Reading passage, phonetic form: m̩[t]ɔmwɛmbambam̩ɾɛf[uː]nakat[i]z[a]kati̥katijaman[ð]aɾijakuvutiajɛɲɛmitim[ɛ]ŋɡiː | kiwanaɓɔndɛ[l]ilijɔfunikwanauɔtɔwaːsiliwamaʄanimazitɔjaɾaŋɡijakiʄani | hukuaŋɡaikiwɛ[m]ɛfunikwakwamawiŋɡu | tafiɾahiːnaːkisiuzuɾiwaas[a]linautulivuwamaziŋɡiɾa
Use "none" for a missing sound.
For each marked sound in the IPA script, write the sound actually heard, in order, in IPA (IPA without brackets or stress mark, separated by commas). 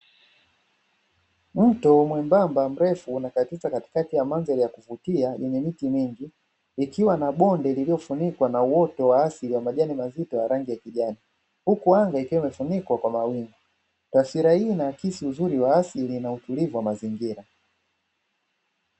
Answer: t, uː, i, a, z, i, l, m, i